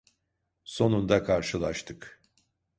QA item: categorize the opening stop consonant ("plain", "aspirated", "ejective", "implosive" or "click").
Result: plain